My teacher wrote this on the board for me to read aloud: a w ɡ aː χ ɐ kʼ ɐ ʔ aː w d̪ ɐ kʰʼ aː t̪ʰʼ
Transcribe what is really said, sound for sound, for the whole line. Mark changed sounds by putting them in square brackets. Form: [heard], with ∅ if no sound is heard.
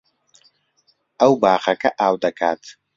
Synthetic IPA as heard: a w [b] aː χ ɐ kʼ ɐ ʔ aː w d̪ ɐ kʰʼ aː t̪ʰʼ

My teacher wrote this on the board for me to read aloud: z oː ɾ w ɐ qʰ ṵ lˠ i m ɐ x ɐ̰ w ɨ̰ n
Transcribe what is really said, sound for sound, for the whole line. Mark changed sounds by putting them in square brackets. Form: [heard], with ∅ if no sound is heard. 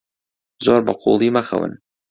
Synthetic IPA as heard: z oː ɾ [b] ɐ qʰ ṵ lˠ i m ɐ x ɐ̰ w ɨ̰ n

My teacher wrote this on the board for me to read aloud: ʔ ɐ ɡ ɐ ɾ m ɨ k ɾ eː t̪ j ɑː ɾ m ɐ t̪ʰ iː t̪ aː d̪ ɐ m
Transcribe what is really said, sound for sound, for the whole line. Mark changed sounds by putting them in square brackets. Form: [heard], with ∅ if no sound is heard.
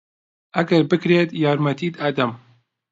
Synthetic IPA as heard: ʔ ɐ ɡ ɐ ɾ [b] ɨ k ɾ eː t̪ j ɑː ɾ m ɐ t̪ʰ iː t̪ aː d̪ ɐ m

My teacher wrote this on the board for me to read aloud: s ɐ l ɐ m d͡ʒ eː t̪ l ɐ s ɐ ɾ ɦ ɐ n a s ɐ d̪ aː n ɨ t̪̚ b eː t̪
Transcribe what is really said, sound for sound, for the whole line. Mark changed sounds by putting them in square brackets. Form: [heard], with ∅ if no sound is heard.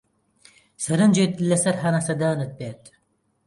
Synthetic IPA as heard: s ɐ [ɾ] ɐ [n] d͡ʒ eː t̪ l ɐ s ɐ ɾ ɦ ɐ n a s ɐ d̪ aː n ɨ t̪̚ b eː t̪

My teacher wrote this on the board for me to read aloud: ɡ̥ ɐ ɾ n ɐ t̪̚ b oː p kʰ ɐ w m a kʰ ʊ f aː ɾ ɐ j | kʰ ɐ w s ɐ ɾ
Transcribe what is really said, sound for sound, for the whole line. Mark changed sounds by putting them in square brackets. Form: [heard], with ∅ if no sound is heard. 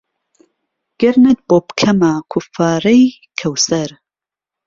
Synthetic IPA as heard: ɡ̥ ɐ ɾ n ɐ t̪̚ b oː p kʰ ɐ [∅] m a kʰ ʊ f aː ɾ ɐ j | kʰ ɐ w s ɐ ɾ

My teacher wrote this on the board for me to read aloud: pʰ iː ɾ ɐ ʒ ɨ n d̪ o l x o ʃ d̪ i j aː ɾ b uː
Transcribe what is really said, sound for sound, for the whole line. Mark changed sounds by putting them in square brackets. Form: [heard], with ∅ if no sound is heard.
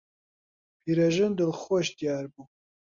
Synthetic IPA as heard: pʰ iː ɾ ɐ ʒ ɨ n d̪ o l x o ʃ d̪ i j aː ɾ b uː

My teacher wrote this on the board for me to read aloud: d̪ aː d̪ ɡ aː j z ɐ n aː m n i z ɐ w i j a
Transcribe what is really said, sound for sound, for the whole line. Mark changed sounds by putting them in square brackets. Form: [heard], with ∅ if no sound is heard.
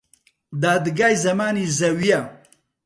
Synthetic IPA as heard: d̪ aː d̪ ɡ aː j z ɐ [m] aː [∅] n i z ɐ w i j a

